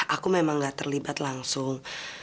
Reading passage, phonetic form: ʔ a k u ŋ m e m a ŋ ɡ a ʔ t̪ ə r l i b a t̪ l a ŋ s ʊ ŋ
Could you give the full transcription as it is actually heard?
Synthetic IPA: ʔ a k u m e m a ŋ ɡ a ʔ t̪ ə r l i b a t̪ l a ŋ s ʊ ŋ